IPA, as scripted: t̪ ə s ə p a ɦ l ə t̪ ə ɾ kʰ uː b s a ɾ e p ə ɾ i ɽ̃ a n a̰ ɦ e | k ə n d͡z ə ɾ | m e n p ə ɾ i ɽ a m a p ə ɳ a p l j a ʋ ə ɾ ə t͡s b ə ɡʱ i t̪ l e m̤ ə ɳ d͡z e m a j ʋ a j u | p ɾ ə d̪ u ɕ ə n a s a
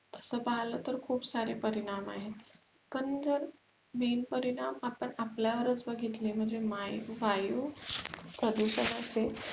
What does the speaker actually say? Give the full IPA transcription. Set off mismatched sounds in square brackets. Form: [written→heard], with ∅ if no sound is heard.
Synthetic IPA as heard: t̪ ə s ə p a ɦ l ə t̪ ə ɾ kʰ uː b s a ɾ e p ə ɾ i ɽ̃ a [n→m] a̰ ɦ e | k ə n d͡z ə ɾ | m e n p ə ɾ i ɽ a m a p ə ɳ a p l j a ʋ ə ɾ ə t͡s b ə ɡʱ i t̪ l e m̤ ə ɳ d͡z e m a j ʋ a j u | p ɾ ə d̪ u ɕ ə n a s [a→e]